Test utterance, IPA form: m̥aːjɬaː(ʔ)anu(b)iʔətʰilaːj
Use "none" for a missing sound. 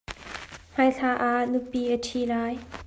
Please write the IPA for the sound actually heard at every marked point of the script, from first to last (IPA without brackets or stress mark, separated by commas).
ʔ, p